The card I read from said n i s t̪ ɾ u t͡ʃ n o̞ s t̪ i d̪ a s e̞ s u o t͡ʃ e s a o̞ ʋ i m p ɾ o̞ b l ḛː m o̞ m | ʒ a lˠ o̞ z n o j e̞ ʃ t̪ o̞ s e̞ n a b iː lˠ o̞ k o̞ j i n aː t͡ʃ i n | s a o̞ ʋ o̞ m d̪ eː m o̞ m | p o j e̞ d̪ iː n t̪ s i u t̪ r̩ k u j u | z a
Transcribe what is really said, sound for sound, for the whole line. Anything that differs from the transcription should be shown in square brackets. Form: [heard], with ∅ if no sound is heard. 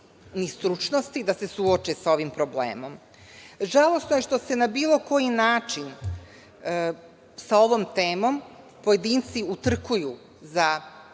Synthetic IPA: n i s t̪ ɾ u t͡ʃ n o̞ s t̪ i d̪ a s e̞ s u o t͡ʃ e s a o̞ ʋ i m p ɾ o̞ b l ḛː m o̞ m | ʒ a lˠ o̞ [s] n o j e̞ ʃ t̪ o̞ s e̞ n a b iː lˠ o̞ k o̞ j i n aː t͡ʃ i n | s a o̞ ʋ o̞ m [t̪] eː m o̞ m | p o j e̞ d̪ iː n t̪ s i u t̪ r̩ k u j u | z a